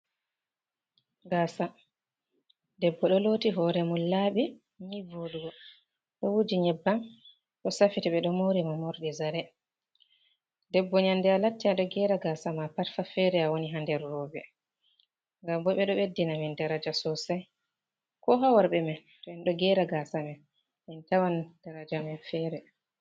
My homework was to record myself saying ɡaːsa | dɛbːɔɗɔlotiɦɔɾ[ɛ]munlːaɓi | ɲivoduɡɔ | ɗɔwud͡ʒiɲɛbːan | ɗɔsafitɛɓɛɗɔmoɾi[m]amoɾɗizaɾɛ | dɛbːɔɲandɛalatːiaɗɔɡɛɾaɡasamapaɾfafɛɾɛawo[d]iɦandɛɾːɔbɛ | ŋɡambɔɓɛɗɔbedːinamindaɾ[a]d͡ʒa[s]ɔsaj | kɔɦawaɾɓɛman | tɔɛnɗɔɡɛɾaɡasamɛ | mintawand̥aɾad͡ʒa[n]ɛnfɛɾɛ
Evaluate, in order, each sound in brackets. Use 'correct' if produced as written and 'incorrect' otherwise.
correct, correct, incorrect, correct, correct, incorrect

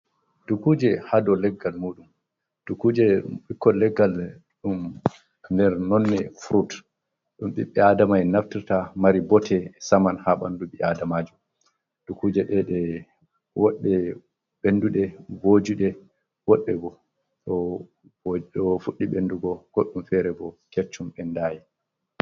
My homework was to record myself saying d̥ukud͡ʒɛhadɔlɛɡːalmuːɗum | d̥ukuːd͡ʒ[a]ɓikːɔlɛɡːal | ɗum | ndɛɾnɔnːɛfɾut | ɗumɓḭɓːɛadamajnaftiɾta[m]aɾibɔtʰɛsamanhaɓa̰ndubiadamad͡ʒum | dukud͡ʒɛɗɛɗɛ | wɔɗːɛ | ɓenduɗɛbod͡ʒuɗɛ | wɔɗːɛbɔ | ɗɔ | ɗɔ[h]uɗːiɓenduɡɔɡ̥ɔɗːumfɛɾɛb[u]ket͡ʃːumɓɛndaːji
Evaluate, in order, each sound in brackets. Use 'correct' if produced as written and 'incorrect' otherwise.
incorrect, correct, incorrect, incorrect

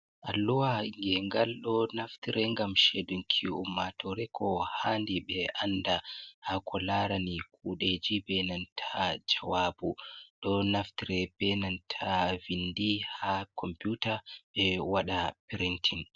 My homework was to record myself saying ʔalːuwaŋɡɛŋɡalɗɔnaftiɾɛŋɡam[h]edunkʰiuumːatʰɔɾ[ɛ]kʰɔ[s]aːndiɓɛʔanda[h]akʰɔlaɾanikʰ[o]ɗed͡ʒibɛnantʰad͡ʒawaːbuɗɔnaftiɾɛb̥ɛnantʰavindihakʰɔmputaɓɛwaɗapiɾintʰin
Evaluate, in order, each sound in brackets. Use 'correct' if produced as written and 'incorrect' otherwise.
incorrect, correct, incorrect, correct, incorrect

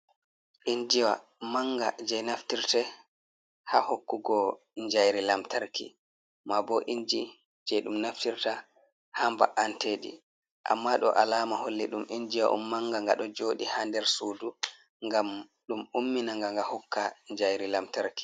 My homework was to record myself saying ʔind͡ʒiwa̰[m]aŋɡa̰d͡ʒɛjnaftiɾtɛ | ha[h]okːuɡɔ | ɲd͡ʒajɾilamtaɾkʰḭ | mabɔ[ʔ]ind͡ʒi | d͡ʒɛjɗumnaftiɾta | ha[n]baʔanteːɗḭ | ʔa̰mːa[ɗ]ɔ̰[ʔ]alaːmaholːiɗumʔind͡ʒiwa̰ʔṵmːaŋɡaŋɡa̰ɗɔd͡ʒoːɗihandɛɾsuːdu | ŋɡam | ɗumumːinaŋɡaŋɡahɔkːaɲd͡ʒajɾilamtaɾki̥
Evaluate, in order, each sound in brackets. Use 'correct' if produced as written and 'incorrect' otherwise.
correct, correct, correct, incorrect, correct, correct

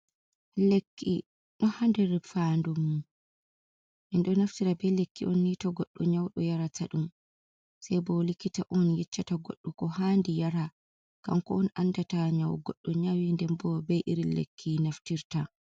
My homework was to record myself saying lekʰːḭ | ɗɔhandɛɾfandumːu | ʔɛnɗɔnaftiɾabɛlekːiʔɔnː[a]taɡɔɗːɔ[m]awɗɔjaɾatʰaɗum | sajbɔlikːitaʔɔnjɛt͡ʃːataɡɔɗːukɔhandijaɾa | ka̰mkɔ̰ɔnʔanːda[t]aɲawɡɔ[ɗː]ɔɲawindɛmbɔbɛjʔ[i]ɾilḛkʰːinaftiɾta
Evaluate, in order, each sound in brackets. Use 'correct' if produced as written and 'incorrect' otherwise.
incorrect, incorrect, correct, correct, correct

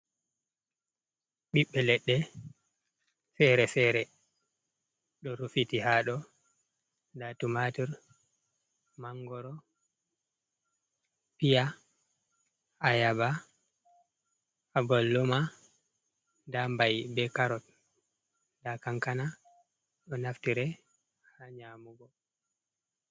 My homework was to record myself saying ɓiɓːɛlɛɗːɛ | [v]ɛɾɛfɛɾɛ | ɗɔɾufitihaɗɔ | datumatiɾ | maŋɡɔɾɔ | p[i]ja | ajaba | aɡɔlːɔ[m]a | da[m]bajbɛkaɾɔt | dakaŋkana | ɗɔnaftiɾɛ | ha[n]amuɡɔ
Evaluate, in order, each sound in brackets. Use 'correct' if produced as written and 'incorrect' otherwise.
incorrect, correct, correct, correct, incorrect

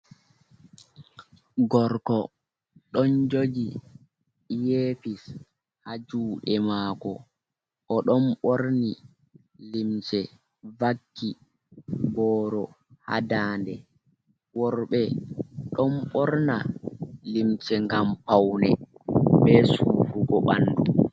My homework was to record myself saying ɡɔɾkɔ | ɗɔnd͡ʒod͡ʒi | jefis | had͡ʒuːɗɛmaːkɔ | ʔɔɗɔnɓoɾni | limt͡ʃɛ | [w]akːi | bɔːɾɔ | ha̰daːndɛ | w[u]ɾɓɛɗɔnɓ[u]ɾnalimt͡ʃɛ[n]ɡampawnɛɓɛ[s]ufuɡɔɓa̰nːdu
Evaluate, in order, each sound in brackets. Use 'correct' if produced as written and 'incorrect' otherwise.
incorrect, incorrect, incorrect, incorrect, correct

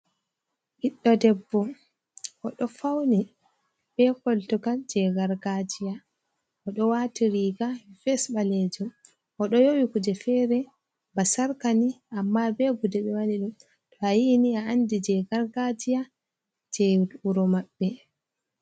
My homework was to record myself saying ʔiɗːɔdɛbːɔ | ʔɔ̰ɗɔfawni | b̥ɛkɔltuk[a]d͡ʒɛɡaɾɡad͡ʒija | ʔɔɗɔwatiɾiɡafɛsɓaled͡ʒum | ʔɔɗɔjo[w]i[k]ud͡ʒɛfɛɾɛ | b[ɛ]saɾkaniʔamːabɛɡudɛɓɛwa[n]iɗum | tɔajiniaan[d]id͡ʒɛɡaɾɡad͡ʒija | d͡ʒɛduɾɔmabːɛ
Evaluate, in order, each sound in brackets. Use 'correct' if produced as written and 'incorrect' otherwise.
correct, correct, correct, incorrect, correct, correct

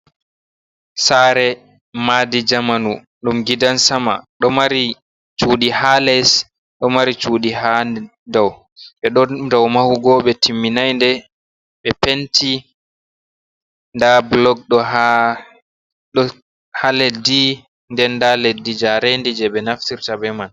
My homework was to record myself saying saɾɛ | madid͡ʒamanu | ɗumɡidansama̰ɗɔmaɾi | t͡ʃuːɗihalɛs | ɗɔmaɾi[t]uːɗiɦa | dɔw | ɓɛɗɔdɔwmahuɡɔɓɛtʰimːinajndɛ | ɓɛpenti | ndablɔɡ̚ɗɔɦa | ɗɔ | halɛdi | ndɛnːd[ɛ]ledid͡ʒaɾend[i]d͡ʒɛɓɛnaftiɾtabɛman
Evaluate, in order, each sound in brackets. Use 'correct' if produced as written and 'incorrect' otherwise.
incorrect, incorrect, correct

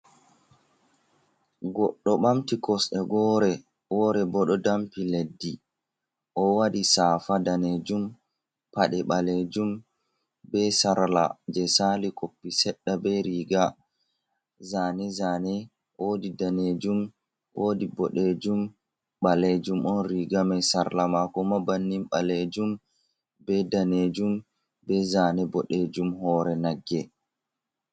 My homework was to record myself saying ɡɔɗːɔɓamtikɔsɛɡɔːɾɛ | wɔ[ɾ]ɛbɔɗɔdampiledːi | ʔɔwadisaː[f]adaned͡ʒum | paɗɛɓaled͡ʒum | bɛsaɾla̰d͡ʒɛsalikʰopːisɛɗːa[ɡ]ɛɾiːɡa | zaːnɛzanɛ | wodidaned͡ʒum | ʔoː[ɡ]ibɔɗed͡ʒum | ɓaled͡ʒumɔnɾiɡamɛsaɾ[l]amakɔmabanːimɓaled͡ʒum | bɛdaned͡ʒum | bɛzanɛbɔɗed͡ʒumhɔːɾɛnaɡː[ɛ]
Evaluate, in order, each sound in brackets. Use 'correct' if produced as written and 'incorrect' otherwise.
correct, correct, incorrect, incorrect, correct, correct

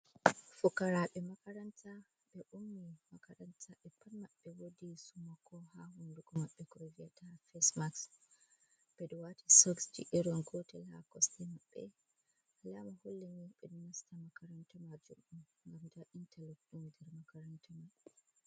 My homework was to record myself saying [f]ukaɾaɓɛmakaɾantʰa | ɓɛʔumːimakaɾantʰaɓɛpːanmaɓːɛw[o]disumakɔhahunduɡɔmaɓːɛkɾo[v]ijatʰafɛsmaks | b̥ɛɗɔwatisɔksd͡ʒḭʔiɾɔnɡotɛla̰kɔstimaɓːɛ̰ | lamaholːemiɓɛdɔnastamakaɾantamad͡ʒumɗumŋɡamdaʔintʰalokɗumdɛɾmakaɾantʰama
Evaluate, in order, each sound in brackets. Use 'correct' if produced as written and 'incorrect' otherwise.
correct, correct, correct

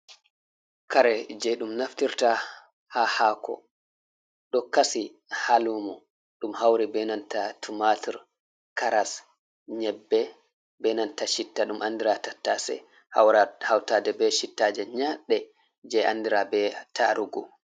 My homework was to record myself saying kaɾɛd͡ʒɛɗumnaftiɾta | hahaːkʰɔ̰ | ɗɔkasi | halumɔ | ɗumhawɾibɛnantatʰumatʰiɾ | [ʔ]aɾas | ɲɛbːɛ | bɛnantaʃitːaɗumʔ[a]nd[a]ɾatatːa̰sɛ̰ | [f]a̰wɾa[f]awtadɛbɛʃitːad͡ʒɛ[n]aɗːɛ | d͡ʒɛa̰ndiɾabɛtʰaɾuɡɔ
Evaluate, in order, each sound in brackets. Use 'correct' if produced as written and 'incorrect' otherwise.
incorrect, correct, incorrect, incorrect, incorrect, incorrect

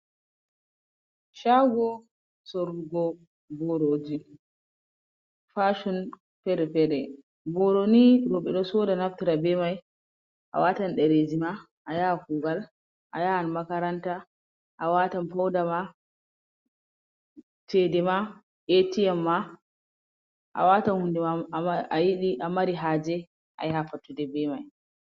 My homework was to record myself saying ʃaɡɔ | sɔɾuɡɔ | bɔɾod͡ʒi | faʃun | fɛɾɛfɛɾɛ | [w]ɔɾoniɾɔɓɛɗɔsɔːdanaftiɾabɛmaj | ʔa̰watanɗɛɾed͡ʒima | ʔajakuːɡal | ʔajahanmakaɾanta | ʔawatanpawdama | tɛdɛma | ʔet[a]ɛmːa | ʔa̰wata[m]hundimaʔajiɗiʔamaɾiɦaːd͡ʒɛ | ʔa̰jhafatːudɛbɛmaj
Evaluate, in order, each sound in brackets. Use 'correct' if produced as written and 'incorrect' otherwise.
incorrect, incorrect, incorrect

